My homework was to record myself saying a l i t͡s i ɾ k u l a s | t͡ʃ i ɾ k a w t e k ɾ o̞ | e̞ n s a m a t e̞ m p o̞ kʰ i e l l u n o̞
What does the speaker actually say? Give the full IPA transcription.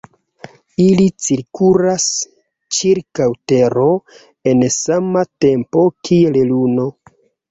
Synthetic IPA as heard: i l i t͡s i ɾ k u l a s | t͡ʃ i ɾ k a w t e ɾ o̞ | e̞ n s a m a t e̞ m p o̞ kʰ i e l l u n o̞